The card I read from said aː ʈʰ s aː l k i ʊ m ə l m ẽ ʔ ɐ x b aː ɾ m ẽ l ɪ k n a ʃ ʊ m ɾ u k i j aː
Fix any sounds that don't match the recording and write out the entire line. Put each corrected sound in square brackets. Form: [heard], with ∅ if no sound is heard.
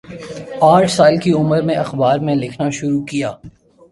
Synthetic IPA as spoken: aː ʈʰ s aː l k i ʊ m ə [ɾ] m ẽ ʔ ɐ x b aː ɾ m ẽ l ɪ [kʰ] n a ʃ ʊ [∅] ɾ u k i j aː

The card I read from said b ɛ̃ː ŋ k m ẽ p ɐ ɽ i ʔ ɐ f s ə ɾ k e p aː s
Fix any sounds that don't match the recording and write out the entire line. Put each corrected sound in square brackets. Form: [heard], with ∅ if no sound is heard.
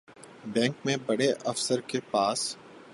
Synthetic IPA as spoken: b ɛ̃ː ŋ k m ẽ [b] ɐ ɽ [e] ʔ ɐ f s ə ɾ k e p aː s

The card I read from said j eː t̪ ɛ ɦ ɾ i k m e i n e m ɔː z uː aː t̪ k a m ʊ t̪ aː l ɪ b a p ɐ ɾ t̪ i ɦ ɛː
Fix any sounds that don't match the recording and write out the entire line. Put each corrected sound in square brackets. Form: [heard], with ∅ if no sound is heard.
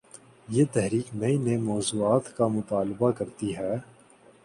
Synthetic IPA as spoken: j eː t̪ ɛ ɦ ɾ [iː] k m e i n e m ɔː z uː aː t̪ k a m ʊ t̪ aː l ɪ b a [k] ɐ ɾ t̪ i ɦ ɛː

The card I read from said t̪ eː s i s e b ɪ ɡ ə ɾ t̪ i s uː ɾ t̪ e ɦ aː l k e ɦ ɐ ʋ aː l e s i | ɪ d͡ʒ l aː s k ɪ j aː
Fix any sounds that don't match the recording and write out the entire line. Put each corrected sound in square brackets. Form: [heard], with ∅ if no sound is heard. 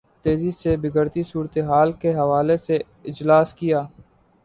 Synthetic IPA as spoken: t̪ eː [z] i s e b ɪ ɡ ə ɾ t̪ i s uː ɾ t̪ e ɦ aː l k e ɦ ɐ ʋ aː l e s [e] | ɪ d͡ʒ l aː s k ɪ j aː

